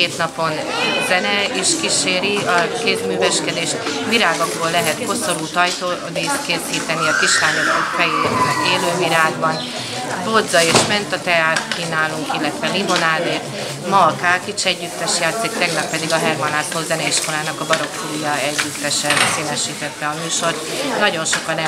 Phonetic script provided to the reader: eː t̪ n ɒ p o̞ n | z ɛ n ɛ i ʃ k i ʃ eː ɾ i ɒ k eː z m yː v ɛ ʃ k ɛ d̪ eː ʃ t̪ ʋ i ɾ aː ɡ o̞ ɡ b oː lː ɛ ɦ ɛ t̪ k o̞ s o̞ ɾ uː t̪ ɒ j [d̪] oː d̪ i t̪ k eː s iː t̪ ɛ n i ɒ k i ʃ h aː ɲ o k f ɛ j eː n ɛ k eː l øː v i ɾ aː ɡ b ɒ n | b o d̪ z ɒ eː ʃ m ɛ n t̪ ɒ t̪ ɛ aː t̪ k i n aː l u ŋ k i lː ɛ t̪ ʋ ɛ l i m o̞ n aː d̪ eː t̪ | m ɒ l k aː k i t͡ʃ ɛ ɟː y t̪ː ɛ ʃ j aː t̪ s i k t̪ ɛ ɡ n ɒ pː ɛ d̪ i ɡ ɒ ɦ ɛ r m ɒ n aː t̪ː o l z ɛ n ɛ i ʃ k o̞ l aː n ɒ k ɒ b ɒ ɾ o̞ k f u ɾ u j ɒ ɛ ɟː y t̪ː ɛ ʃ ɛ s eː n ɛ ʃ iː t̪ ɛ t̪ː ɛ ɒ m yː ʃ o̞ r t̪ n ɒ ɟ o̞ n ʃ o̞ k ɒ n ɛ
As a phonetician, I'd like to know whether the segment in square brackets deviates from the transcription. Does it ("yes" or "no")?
yes